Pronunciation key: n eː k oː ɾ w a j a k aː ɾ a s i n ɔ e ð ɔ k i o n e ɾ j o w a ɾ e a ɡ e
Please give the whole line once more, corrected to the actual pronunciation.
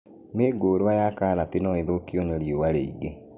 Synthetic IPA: m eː ɡ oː ɾ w a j a k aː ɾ a t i n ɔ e ð o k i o n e ɾ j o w a ɾ e i ɡ e